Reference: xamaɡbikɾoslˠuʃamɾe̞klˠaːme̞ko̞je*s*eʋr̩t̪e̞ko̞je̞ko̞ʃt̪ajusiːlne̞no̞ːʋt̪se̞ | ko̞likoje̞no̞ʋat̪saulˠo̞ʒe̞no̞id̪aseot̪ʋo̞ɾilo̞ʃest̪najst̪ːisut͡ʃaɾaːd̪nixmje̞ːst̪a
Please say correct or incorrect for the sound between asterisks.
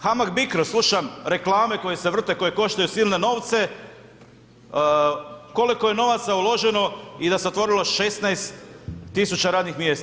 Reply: correct